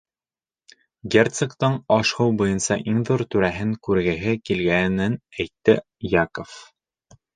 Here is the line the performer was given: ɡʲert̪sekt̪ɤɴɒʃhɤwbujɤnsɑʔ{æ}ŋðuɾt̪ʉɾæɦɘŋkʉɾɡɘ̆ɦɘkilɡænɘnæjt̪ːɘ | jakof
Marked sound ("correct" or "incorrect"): incorrect